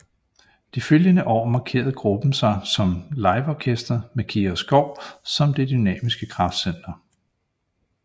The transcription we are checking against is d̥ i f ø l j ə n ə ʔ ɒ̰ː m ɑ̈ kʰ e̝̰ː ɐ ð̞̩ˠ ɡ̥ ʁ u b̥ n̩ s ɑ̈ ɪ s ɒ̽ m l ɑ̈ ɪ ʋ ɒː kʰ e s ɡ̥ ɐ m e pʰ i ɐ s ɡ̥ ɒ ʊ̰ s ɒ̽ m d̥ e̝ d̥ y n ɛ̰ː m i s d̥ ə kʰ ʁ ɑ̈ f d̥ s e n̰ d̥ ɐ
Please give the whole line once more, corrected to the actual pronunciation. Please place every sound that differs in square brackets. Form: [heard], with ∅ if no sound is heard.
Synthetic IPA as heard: d̥ i f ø l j ə n ə ʔ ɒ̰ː m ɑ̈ kʰ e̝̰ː ɐ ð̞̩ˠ ɡ̥ ʁ u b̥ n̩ s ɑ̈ ɪ s ɒ̽ m l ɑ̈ ɪ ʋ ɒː kʰ e s [d̥] ɐ m e [kʰ] i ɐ s ɡ̥ ɒ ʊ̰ s ɒ̽ m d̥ e̝ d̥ y n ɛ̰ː m i s [ɡ̥] ə kʰ ʁ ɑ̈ f d̥ s e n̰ d̥ ɐ